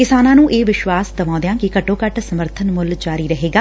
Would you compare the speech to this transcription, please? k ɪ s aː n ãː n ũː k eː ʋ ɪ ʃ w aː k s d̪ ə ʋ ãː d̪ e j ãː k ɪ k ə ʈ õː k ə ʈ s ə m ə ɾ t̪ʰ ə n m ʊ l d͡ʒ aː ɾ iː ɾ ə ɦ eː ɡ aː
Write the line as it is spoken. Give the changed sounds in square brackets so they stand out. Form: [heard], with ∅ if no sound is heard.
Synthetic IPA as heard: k ɪ s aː n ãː n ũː [ʔ] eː ʋ ɪ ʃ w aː [∅] s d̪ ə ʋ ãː d̪ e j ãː k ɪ k ə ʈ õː k ə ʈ s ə m ə ɾ t̪ʰ ə n m ʊ l d͡ʒ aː ɾ iː ɾ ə ɦ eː ɡ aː